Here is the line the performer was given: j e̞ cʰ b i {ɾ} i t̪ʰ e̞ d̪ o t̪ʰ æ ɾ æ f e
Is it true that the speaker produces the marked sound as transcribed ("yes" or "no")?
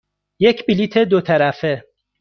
no